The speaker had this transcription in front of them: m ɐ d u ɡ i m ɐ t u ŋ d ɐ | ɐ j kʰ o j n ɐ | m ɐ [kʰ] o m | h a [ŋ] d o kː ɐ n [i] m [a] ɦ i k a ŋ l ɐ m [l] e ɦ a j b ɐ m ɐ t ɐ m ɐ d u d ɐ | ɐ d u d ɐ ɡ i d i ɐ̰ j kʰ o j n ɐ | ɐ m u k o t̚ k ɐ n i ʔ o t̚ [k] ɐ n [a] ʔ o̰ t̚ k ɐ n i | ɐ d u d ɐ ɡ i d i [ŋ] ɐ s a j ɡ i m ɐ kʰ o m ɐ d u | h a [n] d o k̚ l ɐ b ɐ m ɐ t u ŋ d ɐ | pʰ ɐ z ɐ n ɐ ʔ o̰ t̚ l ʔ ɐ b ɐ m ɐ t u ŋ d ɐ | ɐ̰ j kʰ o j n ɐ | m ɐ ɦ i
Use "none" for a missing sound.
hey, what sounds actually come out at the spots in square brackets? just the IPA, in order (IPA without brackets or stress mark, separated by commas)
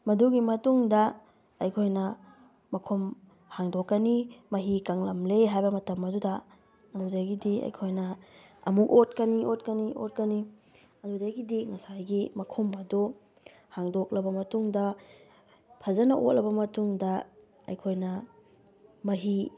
kʰ, ŋ, i, ɐ, l, k, i, ŋ, ŋ